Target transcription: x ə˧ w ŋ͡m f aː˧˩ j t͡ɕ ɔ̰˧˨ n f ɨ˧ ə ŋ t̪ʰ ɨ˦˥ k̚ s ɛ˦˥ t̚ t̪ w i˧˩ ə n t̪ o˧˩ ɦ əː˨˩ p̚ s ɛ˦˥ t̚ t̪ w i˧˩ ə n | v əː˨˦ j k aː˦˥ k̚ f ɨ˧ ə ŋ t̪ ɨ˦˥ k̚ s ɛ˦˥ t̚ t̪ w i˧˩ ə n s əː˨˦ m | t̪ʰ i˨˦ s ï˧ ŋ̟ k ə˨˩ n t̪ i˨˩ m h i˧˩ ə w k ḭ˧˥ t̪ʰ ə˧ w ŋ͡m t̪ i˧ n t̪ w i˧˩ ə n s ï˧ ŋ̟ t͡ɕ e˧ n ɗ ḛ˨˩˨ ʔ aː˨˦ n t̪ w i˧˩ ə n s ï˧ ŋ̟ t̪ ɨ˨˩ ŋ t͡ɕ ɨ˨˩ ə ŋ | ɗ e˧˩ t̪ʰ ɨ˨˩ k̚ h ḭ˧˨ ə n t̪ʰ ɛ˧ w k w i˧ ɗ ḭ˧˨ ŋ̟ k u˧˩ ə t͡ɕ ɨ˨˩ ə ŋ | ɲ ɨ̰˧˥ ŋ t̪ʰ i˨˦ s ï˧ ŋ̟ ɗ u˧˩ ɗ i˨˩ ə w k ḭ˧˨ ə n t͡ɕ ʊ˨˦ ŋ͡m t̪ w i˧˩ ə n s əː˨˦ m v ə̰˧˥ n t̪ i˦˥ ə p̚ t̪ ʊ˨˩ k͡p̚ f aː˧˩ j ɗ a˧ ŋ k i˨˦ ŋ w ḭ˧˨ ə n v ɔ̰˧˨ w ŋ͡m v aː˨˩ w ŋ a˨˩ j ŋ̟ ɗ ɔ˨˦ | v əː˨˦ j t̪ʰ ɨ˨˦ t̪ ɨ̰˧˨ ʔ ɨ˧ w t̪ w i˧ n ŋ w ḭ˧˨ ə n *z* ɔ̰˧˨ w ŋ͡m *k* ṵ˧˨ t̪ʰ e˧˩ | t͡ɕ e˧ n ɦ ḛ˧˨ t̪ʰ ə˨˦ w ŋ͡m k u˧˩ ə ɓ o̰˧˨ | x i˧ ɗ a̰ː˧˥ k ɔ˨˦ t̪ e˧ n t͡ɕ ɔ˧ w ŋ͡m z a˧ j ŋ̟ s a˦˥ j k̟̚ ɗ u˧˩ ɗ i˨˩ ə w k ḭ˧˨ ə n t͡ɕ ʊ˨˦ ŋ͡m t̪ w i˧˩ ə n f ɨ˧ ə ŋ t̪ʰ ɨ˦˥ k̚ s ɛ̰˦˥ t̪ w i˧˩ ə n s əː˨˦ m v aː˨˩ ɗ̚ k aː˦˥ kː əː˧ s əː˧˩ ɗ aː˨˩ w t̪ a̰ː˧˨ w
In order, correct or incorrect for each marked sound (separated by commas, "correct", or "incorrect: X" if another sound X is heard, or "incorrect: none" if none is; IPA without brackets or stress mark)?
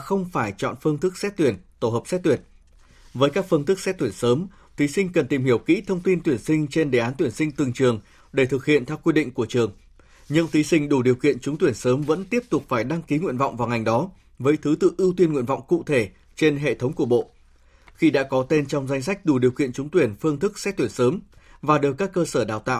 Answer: incorrect: v, correct